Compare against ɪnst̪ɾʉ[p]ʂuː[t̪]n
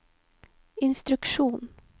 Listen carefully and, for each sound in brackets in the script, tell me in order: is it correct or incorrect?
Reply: incorrect, incorrect

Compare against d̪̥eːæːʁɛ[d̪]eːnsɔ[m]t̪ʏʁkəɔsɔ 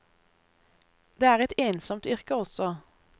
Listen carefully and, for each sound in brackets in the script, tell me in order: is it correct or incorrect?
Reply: incorrect, correct

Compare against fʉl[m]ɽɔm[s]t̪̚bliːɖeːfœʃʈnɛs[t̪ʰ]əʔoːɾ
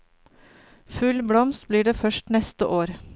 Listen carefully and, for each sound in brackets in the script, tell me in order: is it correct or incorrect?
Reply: incorrect, correct, incorrect

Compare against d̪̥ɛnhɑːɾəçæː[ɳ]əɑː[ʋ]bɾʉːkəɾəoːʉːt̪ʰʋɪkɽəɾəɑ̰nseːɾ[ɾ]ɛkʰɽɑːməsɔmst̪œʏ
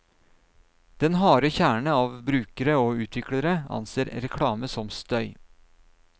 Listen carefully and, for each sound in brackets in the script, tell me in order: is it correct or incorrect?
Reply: correct, correct, correct

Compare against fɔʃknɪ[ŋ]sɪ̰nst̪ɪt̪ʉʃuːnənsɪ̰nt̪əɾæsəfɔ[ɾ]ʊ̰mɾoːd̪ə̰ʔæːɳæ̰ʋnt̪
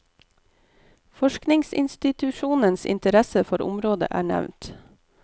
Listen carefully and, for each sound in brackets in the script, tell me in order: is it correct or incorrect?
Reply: correct, correct

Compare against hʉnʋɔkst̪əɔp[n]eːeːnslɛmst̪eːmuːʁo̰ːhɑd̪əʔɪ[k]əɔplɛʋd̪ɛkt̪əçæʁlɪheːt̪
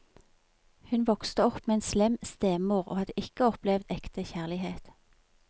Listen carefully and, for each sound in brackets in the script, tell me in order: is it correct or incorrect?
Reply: incorrect, correct

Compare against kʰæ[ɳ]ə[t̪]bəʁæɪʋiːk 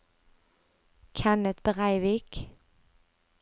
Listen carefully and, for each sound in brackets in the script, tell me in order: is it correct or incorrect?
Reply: incorrect, correct

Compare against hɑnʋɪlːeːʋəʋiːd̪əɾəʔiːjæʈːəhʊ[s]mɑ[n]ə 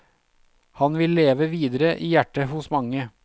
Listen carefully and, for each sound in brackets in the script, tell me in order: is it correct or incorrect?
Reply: correct, incorrect

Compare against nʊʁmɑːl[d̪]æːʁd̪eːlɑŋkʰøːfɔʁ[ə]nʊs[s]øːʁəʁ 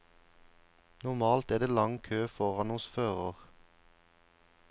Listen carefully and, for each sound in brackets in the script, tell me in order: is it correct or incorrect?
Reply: incorrect, incorrect, incorrect

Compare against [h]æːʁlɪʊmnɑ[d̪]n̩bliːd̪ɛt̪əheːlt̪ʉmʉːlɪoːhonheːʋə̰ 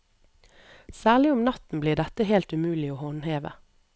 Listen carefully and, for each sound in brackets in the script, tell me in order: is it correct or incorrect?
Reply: incorrect, incorrect

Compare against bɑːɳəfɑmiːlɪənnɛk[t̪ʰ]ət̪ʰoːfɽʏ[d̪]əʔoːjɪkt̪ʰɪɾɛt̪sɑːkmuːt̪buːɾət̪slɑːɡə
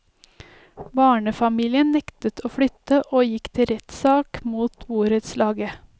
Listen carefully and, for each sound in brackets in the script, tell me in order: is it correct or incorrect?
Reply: incorrect, incorrect

